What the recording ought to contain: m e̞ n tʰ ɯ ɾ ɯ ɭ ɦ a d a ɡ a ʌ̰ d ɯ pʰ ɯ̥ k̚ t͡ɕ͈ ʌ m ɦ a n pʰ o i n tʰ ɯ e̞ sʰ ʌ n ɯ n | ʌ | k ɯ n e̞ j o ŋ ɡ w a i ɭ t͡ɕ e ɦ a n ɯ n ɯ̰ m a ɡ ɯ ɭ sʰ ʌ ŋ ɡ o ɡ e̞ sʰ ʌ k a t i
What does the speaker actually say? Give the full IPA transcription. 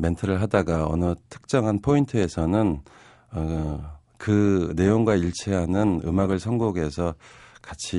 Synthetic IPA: m e̞ n tʰ ɯ ɾ ɯ ɭ ɦ a d a ɡ a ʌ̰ n ɯ tʰ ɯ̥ k̚ t͡ɕ͈ ʌ ŋ ɦ a n pʰ o i n tʰ ɯ e̞ sʰ ʌ n ɯ n | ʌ | k ɯ n e̞ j o ŋ ɡ w a i ɭ t͡ɕʰ e ɦ a n ɯ n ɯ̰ m a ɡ ɯ ɭ sʰ ʌ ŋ ɡ o ɡ e̞ sʰ ʌ k a t͡ɕʰ i